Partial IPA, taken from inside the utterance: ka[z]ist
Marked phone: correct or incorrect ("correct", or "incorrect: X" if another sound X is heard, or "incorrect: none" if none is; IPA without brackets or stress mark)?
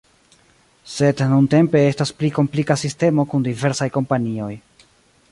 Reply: incorrect: s